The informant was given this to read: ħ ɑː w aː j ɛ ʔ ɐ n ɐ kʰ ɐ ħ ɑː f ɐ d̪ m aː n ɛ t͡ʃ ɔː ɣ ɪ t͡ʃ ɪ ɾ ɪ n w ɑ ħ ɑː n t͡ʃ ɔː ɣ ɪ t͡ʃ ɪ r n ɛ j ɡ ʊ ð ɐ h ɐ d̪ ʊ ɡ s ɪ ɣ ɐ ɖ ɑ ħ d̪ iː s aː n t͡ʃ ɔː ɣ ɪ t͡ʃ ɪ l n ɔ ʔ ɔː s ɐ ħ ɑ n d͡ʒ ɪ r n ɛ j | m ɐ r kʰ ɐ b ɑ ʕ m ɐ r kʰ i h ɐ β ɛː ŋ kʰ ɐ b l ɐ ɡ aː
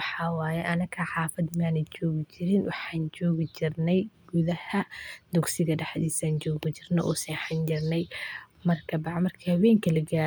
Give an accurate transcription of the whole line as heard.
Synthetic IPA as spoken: ħ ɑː w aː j ɛ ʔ ɐ n ɐ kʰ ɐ ħ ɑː f ɐ d̪ m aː n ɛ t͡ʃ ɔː ɣ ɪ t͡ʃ ɪ ɾ ɪ n w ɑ ħ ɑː n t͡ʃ ɔː ɣ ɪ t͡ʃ ɪ r n ɛ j ɡ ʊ ð ɐ h ɐ d̪ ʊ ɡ s ɪ ɣ ɐ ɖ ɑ ħ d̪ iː s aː n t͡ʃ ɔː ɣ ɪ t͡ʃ ɪ r n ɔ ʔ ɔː s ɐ ħ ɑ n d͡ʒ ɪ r n ɛ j | m ɐ r kʰ ɐ b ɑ ʕ m ɐ r kʰ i h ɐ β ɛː ŋ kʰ ɐ l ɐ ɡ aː